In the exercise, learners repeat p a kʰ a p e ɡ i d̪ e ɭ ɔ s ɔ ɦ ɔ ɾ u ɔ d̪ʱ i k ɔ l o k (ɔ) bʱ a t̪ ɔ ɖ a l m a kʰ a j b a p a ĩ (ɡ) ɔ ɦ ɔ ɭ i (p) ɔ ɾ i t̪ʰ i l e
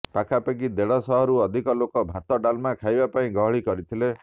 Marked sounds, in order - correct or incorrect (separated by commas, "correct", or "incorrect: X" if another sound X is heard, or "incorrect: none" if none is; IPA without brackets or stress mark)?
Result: correct, correct, incorrect: k